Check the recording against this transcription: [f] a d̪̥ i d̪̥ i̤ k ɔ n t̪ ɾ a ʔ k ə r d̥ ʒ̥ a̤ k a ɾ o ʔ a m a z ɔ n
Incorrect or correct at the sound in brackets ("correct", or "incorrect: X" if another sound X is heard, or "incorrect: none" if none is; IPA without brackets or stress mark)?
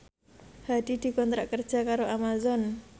incorrect: h